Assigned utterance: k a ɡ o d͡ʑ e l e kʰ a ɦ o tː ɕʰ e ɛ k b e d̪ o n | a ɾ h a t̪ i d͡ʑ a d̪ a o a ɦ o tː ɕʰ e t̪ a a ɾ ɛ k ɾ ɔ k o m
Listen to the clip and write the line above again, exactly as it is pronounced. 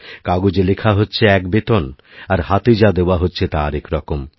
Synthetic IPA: k a ɡ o d͡ʑ e l e kʰ a ɦ o tː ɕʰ e ɛ k b e t̪ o n | a ɾ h a t̪ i d͡ʑ a d̪ e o a ɦ o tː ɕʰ e t̪ a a ɾ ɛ k ɾ ɔ k o m